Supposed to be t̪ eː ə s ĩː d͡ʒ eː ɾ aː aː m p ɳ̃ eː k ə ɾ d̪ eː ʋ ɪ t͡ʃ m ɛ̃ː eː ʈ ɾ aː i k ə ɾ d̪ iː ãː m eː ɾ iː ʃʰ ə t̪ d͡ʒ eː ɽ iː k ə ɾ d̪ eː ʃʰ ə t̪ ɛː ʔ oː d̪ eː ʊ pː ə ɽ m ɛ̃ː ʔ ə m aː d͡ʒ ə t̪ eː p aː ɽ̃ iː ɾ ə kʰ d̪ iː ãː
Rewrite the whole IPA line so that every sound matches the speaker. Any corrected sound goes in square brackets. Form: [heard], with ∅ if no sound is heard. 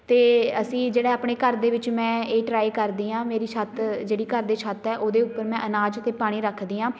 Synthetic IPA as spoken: t̪ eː ə s ĩː d͡ʒ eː [ɽ] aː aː [∅] p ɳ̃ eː k ə ɾ d̪ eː ʋ ɪ t͡ʃ m ɛ̃ː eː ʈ ɾ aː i k ə ɾ d̪ iː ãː m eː ɾ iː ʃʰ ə t̪ d͡ʒ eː ɽ iː k ə ɾ d̪ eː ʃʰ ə t̪ ɛː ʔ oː d̪ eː ʊ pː ə [ɾ] m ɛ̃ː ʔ ə [n] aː d͡ʒ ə t̪ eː p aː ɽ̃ iː ɾ ə kʰ d̪ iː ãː